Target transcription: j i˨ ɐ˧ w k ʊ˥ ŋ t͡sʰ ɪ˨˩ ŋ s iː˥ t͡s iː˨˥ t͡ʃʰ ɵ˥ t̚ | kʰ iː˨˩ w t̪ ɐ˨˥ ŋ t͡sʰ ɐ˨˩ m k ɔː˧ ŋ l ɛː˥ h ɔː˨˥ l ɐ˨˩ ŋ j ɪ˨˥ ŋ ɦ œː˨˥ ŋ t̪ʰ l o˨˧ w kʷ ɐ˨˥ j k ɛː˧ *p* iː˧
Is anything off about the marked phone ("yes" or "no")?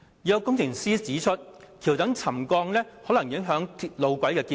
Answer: yes